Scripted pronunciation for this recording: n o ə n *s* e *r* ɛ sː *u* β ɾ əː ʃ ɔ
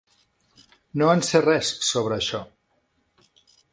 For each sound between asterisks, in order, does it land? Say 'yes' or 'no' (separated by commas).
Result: yes, yes, no